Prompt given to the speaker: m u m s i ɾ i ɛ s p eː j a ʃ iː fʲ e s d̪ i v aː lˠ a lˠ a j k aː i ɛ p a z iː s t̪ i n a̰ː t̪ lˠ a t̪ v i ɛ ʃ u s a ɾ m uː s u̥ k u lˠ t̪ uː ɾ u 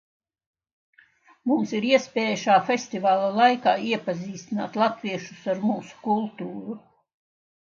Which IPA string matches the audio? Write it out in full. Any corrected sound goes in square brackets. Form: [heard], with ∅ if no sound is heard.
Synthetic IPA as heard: m u m s i ɾ i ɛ s p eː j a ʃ [aː] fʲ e s [t̪] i v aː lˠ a lˠ a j k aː i ɛ p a z iː s t̪ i n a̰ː t̪ lˠ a t̪ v i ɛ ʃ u s a ɾ m uː s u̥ k u lˠ t̪ uː ɾ u